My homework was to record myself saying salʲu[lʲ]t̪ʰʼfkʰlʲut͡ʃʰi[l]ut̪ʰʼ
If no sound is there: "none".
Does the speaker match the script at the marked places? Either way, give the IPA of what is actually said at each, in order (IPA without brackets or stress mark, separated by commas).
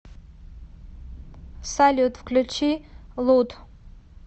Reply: none, l